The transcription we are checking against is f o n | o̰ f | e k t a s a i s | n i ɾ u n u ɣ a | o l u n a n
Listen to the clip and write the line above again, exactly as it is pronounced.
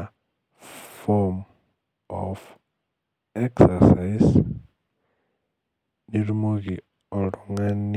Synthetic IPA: f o m | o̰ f | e k s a s a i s | n i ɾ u m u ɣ i | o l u ŋ a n